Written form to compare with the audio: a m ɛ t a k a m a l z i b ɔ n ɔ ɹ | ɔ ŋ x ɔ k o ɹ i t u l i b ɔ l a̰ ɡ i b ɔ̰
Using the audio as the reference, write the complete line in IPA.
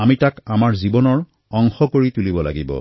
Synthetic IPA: a m i t a k a m a ɹ z i b ɔ n ɔ ɹ | ɔ ŋ x ɔ k o ɹ i t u l i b ɔ l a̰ ɡ i b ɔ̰